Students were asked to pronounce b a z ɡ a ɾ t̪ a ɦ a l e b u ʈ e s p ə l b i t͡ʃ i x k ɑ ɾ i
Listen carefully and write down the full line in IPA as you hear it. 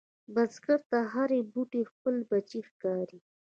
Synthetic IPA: b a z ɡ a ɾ t̪ a ɦ a ɾ e b u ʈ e x p ə l b a t͡ʃ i x k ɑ ɾ i